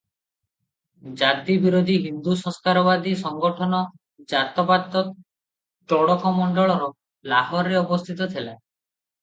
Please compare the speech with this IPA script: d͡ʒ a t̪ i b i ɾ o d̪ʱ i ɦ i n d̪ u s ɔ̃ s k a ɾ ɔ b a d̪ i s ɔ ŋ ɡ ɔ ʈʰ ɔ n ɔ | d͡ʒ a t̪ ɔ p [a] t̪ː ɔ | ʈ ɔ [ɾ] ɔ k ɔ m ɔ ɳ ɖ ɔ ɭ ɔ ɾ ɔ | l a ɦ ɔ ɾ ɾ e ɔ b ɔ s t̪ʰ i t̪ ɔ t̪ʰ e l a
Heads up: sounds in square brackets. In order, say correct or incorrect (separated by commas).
correct, incorrect